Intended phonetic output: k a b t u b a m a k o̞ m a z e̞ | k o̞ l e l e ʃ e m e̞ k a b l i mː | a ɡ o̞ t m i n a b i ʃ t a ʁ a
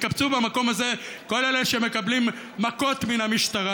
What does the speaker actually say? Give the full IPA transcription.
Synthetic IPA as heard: k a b t͡s u b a m a k o̞ m a z e̞ | k o̞ l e l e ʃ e m e̞ k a b l i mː | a k o̞ t m i n a m i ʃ t a ʁ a